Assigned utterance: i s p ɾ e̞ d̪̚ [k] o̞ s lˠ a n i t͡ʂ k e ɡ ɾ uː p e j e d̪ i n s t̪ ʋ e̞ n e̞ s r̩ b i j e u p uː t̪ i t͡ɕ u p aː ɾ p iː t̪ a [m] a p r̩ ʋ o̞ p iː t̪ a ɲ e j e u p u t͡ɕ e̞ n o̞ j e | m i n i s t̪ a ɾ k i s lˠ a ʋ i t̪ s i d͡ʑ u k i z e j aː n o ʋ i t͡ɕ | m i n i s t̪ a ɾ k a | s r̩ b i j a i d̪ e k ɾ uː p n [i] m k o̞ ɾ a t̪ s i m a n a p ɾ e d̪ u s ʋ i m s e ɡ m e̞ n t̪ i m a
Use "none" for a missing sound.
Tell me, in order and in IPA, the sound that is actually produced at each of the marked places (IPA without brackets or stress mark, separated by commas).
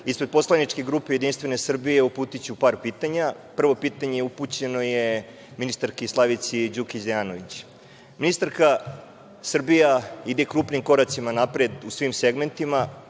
p, ɲ, i